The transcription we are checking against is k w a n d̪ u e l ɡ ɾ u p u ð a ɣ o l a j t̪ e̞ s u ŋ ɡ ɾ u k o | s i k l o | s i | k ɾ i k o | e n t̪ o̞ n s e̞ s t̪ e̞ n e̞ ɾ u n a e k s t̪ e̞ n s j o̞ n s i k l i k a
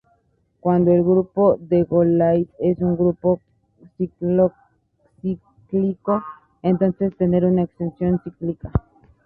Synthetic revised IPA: k w a n d̪ o e l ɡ ɾ u p o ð e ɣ o l a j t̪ e̞ s u ŋ ɡ ɾ u p o | s i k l o | s i | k l i k o | e n t̪ o̞ n s e̞ s t̪ e̞ n e̞ ɾ u n a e k s t̪ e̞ n s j o̞ n s i k l i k a